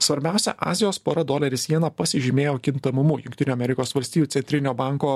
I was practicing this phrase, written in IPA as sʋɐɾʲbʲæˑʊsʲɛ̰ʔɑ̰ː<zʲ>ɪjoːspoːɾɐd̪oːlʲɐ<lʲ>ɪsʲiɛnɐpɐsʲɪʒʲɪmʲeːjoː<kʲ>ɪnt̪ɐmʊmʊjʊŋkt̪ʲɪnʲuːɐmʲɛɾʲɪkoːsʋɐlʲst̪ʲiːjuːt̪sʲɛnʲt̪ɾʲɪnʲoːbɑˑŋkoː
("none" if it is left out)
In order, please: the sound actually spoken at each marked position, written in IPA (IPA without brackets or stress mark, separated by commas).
zʲ, ɾʲ, kʲ